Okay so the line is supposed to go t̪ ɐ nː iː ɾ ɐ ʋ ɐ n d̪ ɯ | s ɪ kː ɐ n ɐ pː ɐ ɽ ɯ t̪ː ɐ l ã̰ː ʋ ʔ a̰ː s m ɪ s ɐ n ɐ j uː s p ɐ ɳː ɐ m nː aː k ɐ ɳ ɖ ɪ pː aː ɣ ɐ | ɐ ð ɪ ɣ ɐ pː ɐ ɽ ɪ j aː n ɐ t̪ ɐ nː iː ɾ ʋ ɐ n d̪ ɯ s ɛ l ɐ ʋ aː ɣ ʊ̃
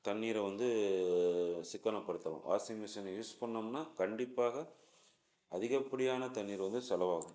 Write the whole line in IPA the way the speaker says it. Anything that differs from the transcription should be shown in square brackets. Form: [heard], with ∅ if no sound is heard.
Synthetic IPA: t̪ ɐ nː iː ɾ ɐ ʋ ɐ n d̪ ɯ | s ɪ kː ɐ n ɐ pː ɐ ɽ ɯ t̪ː ɐ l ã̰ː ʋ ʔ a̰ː s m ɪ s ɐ n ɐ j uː s p ɐ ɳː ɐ m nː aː k ɐ ɳ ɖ ɪ pː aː ɣ ɐ | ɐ ð ɪ ɣ ɐ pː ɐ ɽ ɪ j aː n ɐ t̪ ɐ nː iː ɾ ʋ ɐ n d̪ ɯ s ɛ l ɐ ʋ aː ɣ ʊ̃